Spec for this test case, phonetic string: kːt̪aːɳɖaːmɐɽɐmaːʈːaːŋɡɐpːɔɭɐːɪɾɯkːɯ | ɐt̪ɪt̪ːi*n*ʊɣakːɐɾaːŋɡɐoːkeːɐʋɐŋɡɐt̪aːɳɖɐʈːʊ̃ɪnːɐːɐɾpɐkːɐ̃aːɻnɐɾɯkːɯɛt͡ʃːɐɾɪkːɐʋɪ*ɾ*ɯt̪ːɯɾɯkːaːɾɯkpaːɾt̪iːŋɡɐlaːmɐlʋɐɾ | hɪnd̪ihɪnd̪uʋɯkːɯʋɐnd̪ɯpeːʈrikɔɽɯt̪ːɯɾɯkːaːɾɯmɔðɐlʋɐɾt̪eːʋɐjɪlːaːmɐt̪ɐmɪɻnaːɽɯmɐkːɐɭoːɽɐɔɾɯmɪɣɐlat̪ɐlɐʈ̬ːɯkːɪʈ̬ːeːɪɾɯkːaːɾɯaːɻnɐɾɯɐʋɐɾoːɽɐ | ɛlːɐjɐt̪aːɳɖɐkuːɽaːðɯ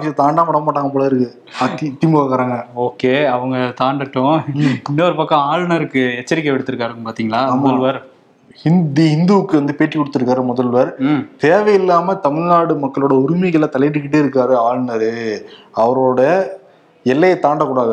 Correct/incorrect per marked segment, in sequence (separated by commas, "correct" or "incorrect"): incorrect, incorrect